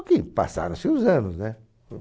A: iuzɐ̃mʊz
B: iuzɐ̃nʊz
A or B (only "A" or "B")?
B